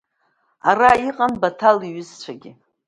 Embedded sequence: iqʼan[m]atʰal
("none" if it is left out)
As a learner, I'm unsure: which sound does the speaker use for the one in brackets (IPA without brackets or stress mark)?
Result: b